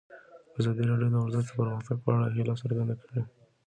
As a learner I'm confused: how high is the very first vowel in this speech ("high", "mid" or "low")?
low